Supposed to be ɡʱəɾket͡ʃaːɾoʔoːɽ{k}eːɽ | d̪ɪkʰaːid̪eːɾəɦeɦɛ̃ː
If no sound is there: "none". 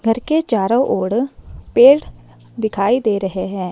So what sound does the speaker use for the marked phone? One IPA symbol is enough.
p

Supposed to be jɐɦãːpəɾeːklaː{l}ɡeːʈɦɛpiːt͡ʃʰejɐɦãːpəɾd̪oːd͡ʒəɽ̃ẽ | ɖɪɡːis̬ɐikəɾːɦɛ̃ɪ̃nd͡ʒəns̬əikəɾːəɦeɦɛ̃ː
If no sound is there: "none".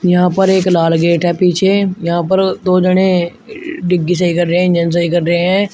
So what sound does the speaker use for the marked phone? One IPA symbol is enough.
l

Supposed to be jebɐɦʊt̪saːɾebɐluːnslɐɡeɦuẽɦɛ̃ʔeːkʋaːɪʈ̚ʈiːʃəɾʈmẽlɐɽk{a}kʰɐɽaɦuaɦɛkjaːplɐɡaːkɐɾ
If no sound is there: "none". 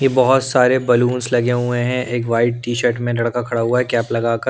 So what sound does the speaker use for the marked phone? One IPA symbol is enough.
a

